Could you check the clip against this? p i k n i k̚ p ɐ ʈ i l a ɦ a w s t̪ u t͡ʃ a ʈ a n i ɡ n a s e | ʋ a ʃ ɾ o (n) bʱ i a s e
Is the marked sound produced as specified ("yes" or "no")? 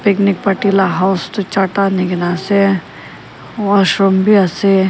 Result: no